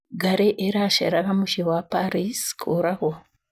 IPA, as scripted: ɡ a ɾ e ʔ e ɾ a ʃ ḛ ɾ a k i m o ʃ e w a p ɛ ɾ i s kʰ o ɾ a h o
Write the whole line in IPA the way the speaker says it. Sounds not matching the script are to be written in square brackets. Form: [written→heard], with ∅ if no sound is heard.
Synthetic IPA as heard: ɡ a ɾ e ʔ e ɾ a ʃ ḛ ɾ a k [i→a] m [o→u] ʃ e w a p [ɛ→a] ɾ i s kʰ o ɾ a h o